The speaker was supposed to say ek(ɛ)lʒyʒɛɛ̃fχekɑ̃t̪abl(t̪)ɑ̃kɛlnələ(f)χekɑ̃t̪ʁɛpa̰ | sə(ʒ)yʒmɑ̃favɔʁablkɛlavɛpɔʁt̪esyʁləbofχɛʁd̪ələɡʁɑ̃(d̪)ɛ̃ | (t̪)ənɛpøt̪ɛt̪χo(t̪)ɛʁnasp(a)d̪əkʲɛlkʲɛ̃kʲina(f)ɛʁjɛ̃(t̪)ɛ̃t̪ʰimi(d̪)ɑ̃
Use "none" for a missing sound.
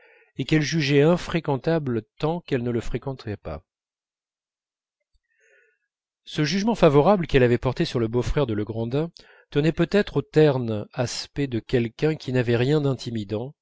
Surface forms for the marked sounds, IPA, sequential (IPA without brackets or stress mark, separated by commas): ɛ, t̪, f, ʒ, d̪, t̪, t̪, ɛ, v, d̪, d̪